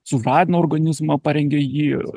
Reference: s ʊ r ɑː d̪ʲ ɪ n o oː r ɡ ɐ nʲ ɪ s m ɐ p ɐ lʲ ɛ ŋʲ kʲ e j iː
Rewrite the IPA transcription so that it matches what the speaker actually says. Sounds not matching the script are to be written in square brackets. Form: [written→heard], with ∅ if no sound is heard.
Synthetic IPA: s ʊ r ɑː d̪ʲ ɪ n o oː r ɡ ɐ nʲ ɪ [s→z] m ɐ p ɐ [lʲ→ɾʲ] ɛ ŋʲ [kʲ→ɡʲ] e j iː